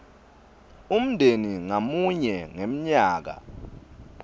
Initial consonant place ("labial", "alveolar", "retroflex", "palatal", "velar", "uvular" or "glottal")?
labial